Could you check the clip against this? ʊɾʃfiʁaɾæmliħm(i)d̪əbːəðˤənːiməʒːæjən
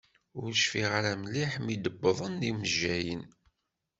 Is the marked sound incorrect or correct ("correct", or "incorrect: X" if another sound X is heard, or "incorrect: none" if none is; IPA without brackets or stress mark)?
correct